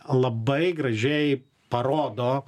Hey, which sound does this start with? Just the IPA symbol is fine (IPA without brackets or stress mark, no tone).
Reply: lˠ